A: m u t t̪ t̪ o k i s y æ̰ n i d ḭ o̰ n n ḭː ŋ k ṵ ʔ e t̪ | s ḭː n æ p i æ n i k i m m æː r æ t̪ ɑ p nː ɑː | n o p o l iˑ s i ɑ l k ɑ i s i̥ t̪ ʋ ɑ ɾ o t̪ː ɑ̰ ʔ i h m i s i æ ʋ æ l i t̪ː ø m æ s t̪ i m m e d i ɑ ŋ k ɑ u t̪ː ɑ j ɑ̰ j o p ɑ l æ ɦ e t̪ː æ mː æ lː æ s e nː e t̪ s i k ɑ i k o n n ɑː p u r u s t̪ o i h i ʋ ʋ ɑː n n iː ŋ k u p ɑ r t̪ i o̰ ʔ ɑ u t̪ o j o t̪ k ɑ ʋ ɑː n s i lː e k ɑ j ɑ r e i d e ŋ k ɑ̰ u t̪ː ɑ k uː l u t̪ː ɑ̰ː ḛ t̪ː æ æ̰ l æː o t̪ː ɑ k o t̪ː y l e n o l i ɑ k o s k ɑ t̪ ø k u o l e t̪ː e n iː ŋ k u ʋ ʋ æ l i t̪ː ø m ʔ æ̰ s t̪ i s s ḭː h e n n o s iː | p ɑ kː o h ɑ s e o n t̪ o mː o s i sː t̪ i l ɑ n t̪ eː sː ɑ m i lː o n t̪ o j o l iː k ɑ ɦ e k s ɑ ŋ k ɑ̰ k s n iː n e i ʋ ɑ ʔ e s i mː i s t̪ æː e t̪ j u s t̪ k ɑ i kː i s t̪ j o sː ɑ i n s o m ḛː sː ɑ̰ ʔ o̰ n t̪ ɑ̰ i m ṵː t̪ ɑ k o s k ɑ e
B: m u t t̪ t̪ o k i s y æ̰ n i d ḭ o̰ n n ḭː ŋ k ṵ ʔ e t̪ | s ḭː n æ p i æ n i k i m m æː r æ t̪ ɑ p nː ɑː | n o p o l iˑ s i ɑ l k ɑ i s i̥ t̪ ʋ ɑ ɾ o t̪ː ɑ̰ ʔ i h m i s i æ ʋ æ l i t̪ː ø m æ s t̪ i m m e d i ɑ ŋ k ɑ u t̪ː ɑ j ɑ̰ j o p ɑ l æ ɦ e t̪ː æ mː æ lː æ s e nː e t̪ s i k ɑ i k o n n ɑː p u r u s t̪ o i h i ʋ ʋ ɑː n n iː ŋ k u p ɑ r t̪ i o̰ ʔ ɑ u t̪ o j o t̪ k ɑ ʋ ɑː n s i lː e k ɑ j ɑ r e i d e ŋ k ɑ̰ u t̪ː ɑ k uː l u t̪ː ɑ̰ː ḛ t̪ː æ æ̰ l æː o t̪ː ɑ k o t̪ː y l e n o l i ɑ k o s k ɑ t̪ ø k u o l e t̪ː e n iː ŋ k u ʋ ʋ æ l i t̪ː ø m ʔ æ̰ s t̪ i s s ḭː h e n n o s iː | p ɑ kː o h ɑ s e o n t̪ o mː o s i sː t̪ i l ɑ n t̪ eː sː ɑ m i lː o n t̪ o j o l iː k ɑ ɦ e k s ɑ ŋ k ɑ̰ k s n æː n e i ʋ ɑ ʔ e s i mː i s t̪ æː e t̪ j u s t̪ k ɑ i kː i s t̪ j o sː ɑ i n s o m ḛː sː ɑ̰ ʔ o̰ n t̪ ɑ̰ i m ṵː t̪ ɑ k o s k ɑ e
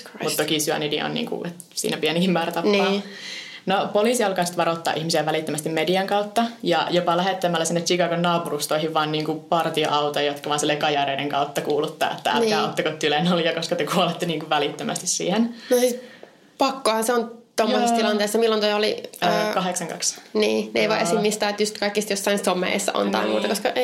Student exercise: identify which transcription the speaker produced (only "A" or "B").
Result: A